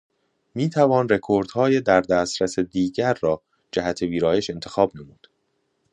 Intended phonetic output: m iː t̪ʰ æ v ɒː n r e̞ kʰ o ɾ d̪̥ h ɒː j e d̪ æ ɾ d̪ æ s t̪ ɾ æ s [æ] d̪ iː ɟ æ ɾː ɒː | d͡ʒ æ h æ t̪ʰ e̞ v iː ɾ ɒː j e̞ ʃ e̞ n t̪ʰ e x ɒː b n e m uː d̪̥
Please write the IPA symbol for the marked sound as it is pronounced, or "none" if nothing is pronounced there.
e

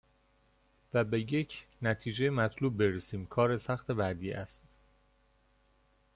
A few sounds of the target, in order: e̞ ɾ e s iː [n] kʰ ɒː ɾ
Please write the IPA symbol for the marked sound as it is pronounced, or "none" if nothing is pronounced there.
m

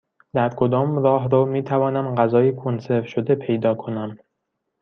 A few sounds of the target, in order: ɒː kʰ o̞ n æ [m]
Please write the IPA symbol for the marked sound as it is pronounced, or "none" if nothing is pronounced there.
m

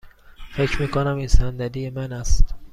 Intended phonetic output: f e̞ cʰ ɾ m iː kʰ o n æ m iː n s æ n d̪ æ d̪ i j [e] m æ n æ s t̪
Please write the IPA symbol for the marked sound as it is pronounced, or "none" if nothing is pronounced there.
e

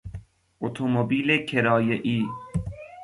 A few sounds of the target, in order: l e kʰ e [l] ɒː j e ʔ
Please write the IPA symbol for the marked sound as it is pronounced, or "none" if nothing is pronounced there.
ɾ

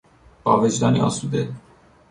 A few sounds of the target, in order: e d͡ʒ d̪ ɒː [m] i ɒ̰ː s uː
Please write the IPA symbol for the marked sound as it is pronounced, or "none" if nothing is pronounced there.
n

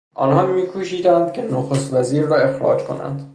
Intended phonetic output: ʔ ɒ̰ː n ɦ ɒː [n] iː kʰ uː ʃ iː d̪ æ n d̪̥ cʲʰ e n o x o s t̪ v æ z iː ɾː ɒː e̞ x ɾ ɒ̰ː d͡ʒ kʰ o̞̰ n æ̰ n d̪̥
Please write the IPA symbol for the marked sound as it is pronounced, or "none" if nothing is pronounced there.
m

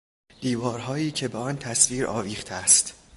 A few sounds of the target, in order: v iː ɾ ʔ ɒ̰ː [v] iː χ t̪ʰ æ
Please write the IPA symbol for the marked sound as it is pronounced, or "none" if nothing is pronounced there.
v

